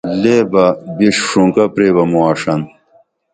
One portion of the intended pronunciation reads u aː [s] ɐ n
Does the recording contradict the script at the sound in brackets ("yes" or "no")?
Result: yes